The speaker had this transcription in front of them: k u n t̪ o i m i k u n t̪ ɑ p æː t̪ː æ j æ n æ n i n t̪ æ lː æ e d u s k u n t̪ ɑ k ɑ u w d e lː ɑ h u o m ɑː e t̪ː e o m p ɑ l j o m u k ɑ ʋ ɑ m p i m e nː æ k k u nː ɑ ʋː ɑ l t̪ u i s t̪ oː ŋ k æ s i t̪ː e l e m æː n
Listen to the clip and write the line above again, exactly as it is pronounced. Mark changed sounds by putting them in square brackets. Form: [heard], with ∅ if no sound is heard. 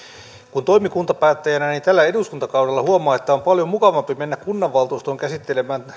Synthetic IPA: k u n t̪ o i m i k u n t̪ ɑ p æː t̪ː æ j æ n æ n i n t̪ æ lː æ e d u s k u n t̪ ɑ k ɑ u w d e lː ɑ h u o m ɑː e t̪ː [æ] o m p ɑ l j o m u k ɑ ʋ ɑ m p i m e nː æ k k u nː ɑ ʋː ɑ l t̪ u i s t̪ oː ŋ k æ s i t̪ː e l e m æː n